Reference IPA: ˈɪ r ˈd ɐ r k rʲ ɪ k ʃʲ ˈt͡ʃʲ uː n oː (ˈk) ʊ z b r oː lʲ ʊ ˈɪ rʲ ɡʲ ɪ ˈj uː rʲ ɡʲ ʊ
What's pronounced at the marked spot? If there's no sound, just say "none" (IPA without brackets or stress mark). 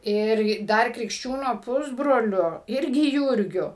p